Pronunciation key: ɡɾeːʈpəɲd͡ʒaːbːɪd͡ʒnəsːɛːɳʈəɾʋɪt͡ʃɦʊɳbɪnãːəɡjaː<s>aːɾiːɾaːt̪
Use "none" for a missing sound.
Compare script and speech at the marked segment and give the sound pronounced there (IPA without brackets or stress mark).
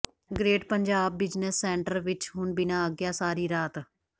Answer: s